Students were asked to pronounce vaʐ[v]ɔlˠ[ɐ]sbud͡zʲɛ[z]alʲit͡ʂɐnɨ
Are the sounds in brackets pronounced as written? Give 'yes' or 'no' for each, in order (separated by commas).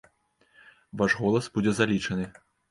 no, yes, yes